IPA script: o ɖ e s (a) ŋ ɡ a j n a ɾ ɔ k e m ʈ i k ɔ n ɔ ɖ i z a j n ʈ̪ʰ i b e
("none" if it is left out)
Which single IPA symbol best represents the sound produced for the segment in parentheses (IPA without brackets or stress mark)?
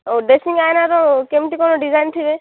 i